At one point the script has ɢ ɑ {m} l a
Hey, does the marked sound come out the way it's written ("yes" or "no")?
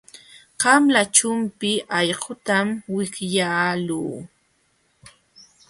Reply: yes